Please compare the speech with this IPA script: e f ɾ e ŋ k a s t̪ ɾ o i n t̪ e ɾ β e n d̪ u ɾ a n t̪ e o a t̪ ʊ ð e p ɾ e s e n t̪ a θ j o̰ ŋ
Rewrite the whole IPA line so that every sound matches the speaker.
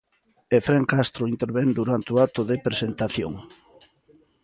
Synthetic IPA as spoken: e f ɾ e ŋ k a s t̪ ɾ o i n t̪ e ɾ β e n d̪ u ɾ a n t̪ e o a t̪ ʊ ð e p ɾ e s e n t̪ a θ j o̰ ŋ